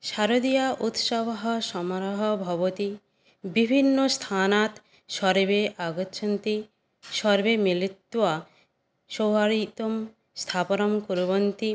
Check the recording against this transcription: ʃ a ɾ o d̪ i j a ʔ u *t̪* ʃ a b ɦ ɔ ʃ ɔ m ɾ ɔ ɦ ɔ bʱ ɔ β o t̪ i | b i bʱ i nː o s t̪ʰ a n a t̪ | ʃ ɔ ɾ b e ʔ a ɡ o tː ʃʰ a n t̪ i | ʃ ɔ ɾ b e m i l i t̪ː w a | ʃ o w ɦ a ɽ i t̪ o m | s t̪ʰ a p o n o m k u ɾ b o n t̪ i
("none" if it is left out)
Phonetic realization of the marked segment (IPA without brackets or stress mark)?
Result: t̪